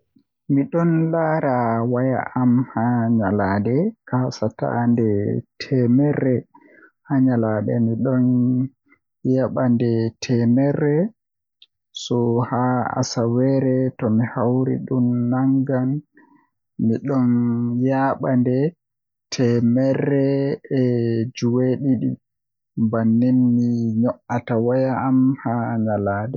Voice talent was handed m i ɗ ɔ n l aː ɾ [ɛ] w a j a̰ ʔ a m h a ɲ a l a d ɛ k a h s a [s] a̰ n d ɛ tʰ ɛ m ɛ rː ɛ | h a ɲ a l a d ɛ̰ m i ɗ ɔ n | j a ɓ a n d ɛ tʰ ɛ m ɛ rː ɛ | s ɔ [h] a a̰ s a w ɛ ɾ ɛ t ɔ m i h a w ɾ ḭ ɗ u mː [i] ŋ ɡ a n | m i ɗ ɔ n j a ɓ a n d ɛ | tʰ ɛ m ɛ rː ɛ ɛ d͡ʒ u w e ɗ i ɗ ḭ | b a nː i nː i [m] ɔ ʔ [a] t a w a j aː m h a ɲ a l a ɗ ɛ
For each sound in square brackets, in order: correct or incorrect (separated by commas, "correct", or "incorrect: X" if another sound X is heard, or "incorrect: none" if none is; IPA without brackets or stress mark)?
incorrect: a, incorrect: t, correct, incorrect: a, incorrect: ɲ, correct